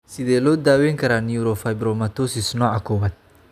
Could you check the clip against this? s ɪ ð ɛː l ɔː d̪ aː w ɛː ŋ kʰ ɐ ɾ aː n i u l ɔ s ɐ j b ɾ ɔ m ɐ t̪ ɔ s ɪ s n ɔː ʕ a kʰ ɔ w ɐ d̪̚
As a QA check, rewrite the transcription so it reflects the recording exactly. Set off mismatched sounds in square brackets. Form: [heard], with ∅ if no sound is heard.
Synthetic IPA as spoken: s ɪ ð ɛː l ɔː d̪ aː w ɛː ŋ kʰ ɐ ɾ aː n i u [ɾ] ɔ [f] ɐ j b ɾ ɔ m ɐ t̪ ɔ s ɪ s n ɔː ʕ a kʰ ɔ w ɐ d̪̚